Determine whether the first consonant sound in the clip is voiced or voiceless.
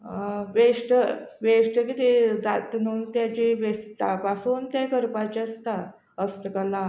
voiced